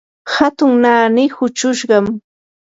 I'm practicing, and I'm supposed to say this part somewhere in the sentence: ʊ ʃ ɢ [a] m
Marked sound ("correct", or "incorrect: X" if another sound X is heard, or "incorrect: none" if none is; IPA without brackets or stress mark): incorrect: ɑ